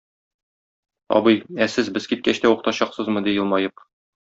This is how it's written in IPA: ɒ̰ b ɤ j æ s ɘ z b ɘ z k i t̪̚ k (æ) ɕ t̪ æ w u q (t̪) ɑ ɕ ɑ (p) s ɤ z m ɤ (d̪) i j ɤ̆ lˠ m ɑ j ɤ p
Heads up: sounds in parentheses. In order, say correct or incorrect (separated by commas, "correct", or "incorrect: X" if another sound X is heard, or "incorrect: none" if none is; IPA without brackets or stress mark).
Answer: correct, correct, incorrect: q, correct